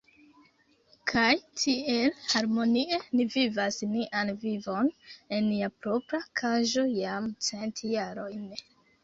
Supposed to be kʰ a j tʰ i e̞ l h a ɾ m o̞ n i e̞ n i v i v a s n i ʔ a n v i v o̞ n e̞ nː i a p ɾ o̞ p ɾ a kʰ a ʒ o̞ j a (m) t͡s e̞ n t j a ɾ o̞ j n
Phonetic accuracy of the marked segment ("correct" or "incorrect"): correct